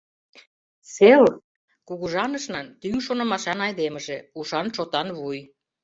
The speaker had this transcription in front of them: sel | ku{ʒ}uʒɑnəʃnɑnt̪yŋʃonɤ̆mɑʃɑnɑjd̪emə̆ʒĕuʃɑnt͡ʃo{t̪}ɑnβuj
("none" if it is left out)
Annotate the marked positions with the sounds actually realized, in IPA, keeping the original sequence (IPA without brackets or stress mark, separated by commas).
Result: ɣ, t̪